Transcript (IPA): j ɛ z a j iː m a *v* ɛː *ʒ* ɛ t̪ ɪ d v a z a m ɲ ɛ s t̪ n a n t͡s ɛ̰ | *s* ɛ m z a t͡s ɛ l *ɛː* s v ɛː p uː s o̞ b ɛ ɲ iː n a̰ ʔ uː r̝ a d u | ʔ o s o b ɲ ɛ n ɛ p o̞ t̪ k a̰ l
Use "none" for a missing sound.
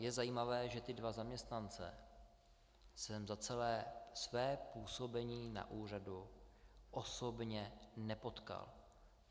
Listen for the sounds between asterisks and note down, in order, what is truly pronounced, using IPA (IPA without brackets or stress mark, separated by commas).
v, ʒ, s, ɛː